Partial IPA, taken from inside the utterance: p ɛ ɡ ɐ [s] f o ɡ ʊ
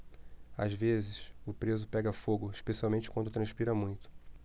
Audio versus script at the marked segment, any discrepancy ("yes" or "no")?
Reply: yes